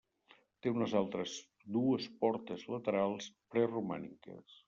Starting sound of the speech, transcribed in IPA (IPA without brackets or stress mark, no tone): t̪